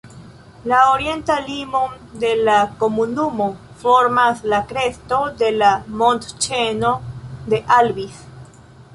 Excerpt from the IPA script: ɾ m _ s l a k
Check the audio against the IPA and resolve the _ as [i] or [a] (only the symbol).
a